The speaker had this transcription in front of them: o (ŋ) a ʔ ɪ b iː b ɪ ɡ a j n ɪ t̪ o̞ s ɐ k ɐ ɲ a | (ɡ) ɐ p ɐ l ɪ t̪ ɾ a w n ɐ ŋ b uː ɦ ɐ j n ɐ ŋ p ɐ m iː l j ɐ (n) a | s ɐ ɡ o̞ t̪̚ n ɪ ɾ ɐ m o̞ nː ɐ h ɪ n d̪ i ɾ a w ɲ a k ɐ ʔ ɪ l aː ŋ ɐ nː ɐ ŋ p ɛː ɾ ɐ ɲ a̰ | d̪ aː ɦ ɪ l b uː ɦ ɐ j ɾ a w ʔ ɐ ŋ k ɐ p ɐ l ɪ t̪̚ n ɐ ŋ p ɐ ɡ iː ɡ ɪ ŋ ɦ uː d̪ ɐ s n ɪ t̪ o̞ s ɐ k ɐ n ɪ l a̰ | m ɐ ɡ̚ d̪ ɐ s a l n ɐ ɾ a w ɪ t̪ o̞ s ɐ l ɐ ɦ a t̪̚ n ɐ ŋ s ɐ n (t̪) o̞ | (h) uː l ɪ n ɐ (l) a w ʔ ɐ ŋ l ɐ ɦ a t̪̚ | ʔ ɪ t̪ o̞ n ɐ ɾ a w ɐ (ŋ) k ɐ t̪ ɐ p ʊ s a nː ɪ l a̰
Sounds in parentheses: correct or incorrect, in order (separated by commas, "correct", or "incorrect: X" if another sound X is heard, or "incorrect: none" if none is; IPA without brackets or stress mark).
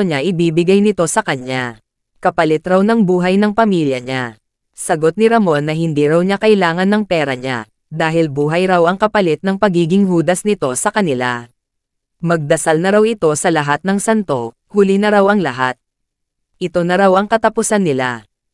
incorrect: ɲ, incorrect: k, incorrect: ɲ, correct, correct, incorrect: ɾ, correct